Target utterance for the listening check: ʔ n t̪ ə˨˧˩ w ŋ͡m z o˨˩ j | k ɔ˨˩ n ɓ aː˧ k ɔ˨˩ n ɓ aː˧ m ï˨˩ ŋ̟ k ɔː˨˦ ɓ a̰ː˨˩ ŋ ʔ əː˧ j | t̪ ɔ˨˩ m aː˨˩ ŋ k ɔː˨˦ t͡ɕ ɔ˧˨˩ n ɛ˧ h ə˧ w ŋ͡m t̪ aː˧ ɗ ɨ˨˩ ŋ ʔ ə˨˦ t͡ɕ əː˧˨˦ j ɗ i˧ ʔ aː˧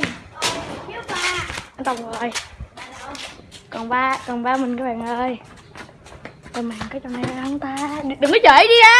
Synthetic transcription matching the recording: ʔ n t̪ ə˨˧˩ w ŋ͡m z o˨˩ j | k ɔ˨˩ n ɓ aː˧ k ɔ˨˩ n ɓ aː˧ m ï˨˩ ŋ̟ k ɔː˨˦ ɓ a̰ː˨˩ ŋ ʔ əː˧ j | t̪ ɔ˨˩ m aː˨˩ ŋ k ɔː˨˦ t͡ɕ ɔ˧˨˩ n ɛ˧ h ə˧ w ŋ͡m t̪ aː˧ ɗ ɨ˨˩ ŋ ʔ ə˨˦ t͡ɕ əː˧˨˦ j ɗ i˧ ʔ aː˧